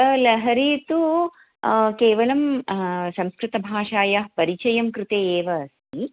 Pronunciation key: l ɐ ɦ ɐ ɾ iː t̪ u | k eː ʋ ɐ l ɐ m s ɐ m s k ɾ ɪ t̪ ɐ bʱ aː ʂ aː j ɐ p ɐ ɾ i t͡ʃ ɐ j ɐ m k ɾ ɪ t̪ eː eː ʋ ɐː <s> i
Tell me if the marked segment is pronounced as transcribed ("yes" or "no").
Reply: yes